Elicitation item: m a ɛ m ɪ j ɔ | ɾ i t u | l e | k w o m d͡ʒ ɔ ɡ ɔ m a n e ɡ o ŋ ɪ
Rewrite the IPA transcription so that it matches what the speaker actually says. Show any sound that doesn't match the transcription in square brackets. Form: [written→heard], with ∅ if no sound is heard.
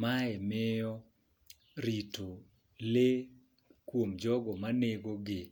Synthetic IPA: m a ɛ m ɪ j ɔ | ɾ i t [u→o] | l e | k w o m d͡ʒ ɔ ɡ ɔ m a n e ɡ o [ŋ→ɡ] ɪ